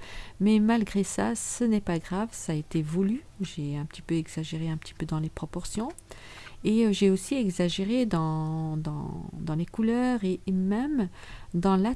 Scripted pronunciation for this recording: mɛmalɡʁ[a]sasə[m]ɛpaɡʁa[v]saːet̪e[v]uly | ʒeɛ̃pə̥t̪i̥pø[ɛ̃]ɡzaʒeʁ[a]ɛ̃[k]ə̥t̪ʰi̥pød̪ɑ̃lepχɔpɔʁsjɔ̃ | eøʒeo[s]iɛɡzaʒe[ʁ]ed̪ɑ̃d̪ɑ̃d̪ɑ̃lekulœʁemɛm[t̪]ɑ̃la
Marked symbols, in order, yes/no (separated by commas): no, no, yes, yes, no, no, no, yes, yes, no